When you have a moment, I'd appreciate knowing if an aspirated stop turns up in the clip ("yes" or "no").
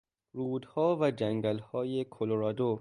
yes